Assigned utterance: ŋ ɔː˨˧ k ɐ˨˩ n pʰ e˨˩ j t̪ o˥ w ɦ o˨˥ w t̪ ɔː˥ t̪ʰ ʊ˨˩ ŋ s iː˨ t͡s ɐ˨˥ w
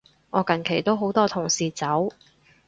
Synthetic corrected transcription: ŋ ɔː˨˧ k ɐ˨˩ n kʰ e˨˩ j t̪ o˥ w ɦ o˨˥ w t̪ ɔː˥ t̪ʰ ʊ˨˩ ŋ s iː˨ t͡s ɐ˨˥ w

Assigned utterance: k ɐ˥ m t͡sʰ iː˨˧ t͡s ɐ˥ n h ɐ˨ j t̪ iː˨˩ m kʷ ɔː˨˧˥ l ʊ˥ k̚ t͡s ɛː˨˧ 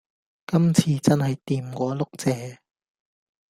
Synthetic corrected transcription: k ɐ˥ m t͡sʰ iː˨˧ t͡s ɐ˥ n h ɐ˨ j t̪ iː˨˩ m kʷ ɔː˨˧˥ l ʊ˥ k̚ t͡s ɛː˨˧

